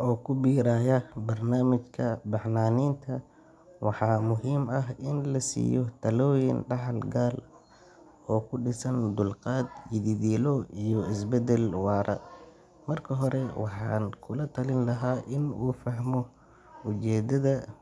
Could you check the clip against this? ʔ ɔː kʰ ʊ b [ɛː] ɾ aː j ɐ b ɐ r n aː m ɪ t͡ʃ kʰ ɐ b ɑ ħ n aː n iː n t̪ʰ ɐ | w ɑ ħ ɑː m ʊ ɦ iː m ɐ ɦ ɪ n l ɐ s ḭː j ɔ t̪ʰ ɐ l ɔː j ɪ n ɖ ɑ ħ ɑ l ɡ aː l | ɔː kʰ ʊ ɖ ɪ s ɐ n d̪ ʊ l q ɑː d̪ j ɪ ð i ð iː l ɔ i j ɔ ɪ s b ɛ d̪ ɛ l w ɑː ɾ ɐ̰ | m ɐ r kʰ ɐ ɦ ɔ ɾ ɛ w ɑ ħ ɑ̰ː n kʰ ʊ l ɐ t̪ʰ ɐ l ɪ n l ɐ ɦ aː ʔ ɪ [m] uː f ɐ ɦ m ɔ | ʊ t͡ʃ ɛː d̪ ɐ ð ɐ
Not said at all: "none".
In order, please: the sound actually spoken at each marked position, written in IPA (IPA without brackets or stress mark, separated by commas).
iː, n